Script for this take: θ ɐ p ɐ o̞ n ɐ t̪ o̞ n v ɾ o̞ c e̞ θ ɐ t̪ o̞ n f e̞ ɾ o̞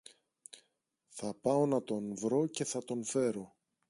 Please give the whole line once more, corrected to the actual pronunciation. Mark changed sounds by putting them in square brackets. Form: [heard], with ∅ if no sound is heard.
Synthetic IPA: θ ɐ p ɐ o̞ n ɐ t̪ o̞ n v ɾ o̞ c e̞ θ ɐ t̪ o̞ n f e̞ ɾ o̞